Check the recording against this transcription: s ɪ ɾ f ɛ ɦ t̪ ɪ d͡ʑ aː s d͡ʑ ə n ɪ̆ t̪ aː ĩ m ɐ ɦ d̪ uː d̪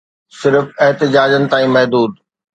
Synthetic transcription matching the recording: s ɪ ɾ f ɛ ɦ t̪ ɪ d͡ʑ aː d͡ʑ ə n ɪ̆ t̪ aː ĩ m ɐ ɦ d̪ uː d̪